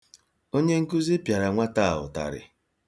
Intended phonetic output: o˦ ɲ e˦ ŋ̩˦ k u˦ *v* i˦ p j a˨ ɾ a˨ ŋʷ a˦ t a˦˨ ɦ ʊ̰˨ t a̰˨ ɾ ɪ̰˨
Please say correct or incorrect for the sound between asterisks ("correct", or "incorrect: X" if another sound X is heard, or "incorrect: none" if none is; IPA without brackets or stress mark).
incorrect: z